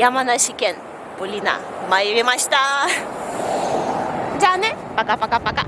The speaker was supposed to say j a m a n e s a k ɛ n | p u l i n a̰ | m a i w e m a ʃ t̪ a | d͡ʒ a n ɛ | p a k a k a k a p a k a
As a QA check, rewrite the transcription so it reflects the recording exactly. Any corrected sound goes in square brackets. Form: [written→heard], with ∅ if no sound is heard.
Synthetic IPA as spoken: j a m a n [e→a] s [a→i] k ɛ n | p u l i n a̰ | m a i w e m a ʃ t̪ a | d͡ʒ a n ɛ | p a k a [k→p] a k a p a k a